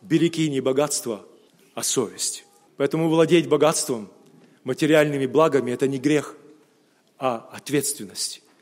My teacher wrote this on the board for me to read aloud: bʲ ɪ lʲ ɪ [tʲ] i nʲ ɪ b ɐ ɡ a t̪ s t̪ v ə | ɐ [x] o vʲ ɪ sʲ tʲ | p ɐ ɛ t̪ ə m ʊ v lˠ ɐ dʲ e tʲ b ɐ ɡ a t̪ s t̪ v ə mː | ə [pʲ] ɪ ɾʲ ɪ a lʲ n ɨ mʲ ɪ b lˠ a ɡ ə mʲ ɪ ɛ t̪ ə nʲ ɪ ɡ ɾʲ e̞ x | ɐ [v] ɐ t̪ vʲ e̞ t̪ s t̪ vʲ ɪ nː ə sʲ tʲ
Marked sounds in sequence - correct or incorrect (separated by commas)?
incorrect, incorrect, incorrect, incorrect